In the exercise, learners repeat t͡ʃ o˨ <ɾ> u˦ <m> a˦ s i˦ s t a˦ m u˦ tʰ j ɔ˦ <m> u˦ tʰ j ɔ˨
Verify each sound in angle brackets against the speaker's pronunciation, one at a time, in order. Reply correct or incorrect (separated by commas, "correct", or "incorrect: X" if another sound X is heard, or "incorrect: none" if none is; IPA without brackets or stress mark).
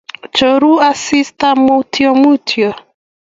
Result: correct, incorrect: none, correct